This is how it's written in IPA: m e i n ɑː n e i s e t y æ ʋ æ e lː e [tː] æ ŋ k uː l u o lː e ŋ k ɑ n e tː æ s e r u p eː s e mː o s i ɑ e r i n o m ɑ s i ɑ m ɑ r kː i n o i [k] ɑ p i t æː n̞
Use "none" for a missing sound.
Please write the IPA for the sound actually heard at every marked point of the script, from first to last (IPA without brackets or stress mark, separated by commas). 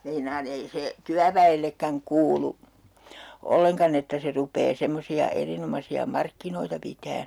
kː, t